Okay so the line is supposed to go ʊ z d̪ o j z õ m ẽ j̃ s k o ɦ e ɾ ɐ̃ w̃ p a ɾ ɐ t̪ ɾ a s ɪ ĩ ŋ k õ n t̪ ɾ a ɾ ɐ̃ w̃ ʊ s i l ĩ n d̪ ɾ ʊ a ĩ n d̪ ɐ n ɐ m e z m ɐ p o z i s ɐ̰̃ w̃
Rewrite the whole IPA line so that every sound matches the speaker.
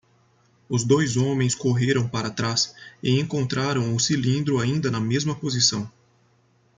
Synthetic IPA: ʊ z d̪ o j z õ m ẽ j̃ s k o ɦ e ɾ ɐ̃ w̃ p a ɾ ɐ t̪ ɾ a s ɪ ẽ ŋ k õ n t̪ ɾ a ɾ ɐ̃ w̃ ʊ s i l ĩ n d̪ ɾ ʊ a ĩ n d̪ ɐ n ɐ m e z m ɐ p o z i s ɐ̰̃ w̃